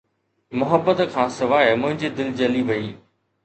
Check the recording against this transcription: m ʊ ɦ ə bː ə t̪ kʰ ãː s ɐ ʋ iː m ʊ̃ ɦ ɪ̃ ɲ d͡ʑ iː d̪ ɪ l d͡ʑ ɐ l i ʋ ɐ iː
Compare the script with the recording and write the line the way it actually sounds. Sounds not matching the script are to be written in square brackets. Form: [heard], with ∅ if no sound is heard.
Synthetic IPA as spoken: m ʊ ɦ ə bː ə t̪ kʰ ãː s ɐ ʋ [aː] m ʊ̃ ɦ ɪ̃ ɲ d͡ʑ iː d̪ ɪ l d͡ʑ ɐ l i ʋ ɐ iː